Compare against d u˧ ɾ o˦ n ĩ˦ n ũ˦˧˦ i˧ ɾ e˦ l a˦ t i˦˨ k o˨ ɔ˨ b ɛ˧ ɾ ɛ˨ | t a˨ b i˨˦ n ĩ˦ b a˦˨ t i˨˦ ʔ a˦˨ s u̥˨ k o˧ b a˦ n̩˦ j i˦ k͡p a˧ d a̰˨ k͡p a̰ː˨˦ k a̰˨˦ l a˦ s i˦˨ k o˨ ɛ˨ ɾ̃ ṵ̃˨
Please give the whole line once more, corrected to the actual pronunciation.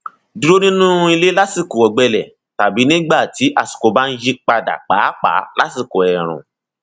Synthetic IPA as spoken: d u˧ ɾ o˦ n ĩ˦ n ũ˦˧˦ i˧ l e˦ l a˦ s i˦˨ k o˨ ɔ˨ ɡ͡b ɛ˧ l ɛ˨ | t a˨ b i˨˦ n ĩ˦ ɡ͡b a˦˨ t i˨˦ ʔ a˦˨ s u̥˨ k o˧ b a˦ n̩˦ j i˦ k͡p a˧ d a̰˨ k͡p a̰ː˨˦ k͡p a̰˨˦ l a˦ s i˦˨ k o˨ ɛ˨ ɾ̃ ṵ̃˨

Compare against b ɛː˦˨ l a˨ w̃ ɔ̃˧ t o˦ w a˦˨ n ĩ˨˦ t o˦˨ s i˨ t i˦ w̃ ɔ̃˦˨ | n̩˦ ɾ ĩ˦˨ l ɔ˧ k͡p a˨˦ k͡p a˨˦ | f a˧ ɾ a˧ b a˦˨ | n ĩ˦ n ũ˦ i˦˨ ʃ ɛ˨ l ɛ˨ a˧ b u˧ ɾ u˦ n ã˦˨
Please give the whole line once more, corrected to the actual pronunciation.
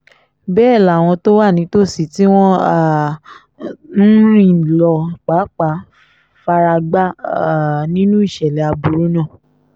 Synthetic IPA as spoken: b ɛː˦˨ l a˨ w̃ ɔ̃˧ t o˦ w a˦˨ n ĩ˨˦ t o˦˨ s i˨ t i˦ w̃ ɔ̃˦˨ | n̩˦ ɾ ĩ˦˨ l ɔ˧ k͡p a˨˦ k͡p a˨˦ | f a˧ ɾ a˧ ɡ͡b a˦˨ | n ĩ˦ n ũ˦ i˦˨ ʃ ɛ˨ l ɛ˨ a˧ b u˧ ɾ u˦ n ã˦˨

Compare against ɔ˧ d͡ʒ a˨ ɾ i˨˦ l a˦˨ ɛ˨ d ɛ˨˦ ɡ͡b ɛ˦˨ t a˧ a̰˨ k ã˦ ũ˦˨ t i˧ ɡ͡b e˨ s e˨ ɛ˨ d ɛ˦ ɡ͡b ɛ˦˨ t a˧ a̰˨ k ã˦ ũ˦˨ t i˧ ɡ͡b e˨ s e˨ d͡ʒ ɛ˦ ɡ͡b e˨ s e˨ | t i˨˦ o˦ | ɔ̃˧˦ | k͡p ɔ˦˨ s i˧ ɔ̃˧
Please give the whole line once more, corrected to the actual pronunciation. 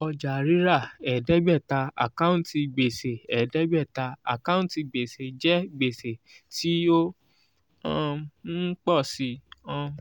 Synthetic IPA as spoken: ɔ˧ d͡ʒ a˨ ɾ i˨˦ ɾ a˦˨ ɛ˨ d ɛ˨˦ ɡ͡b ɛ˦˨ t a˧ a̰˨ k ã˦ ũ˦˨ t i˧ ɡ͡b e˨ s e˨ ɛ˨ d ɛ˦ ɡ͡b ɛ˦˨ t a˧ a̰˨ k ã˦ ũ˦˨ t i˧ ɡ͡b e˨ s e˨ d͡ʒ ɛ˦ ɡ͡b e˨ s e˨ | t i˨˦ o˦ | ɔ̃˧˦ | k͡p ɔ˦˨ s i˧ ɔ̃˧

